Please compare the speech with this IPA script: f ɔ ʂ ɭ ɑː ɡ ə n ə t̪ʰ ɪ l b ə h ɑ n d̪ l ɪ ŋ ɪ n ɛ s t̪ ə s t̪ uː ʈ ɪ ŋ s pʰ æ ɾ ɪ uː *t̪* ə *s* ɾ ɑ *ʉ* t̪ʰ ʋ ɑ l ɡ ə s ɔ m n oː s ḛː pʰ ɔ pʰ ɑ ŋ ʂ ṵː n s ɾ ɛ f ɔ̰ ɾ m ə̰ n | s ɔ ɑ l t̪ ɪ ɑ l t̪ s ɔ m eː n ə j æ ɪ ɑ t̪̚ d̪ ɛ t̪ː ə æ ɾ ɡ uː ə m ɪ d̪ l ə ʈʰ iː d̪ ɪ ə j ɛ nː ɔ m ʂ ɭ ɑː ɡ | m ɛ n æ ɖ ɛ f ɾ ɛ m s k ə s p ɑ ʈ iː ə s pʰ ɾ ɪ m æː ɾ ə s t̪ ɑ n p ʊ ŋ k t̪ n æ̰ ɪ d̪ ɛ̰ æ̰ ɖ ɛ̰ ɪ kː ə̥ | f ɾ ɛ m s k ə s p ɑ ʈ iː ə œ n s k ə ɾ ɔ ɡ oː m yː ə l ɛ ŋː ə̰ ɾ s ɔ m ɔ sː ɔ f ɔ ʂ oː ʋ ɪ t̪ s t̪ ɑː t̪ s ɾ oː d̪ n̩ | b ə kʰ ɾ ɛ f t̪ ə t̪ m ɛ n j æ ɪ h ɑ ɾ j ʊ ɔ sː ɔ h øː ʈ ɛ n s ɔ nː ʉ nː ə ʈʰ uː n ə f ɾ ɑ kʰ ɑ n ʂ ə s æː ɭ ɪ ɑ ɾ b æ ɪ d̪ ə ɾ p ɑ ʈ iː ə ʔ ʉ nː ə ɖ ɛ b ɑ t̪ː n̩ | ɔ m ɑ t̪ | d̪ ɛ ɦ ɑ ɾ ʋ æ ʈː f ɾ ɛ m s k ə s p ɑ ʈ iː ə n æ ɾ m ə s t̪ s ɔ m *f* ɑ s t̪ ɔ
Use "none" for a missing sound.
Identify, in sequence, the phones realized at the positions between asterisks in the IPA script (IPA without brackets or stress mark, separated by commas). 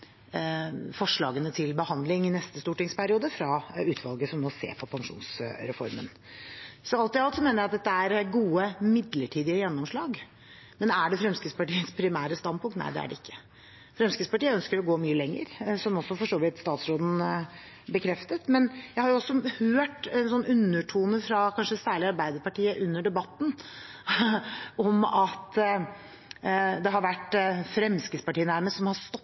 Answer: d̪, f, ʉː, h